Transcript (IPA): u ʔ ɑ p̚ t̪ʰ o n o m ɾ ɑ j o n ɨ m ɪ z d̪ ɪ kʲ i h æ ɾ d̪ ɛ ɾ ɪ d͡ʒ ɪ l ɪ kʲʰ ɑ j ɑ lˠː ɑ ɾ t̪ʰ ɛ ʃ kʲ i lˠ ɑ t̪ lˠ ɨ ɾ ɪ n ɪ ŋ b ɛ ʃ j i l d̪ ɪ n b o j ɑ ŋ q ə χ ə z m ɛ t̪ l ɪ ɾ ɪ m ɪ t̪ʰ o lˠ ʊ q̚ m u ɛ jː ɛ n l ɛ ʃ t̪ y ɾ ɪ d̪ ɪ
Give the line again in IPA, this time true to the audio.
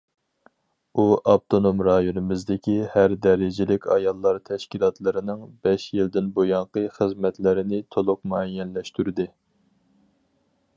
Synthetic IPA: u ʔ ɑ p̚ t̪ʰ o n o m ɾ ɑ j o n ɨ m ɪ z d̪ ɪ kʲ i h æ ɾ d̪ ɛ ɾ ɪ d͡ʒ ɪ l ɪ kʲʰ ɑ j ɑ lˠː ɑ ɾ t̪ʰ ɛ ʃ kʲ i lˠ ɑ t̪ lˠ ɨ ɾ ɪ n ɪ ŋ b ɛ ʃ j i l d̪ ɪ n b o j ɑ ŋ q ə χ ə z m ɛ t̪ l ɪ ɾ ɪ n ɪ t̪ʰ o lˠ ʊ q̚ m u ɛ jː ɛ n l ɛ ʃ t̪ y ɾ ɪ d̪ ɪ